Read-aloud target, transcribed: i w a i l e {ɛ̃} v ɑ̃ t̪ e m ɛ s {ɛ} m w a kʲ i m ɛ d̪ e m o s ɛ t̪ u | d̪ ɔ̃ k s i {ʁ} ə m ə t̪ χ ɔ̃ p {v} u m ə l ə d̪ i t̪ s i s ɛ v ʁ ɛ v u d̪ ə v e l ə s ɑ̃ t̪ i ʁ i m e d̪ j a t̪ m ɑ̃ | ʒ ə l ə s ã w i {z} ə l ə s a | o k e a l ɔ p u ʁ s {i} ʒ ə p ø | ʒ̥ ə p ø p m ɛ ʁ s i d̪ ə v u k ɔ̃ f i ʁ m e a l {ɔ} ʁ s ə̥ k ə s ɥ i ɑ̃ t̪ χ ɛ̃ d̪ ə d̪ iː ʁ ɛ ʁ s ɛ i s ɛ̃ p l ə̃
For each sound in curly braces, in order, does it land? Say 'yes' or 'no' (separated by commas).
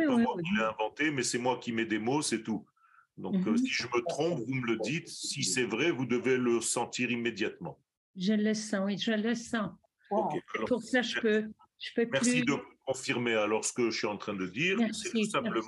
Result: yes, yes, no, yes, no, no, yes